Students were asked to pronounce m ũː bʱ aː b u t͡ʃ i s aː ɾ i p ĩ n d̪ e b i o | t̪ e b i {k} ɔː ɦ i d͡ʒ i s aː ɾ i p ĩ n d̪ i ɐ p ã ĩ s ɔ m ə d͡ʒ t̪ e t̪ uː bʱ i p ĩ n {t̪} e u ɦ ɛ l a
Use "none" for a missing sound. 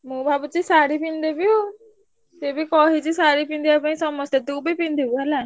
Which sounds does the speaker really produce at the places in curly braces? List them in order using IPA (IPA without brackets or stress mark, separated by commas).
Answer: k, d̪